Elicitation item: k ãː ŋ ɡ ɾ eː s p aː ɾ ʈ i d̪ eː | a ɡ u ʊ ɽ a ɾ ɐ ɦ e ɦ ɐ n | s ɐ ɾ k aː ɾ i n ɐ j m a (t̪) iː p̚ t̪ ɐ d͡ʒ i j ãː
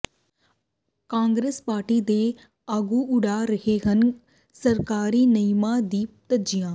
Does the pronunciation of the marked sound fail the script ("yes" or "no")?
yes